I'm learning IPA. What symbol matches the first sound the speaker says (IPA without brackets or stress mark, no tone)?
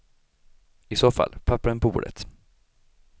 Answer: ɪ